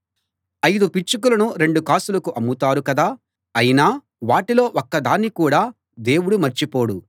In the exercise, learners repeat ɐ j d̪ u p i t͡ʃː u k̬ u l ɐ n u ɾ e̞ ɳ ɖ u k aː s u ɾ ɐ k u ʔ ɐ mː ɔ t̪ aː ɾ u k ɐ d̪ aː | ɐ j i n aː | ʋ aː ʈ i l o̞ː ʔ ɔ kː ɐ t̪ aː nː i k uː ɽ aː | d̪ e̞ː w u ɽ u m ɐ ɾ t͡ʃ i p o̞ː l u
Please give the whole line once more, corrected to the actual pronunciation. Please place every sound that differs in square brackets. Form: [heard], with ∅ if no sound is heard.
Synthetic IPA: ɐ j d̪ u p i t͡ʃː u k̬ u l ɐ n u ɾ e̞ ɳ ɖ u k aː s u [l] ɐ k u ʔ ɐ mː [u] t̪ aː ɾ u k ɐ d̪ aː | ɐ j i n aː | ʋ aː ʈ i l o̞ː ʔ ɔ kː ɐ [d̪] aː nː i k uː ɽ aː | d̪ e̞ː w u ɽ u m ɐ ɾ t͡ʃ i p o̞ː [ɽ] u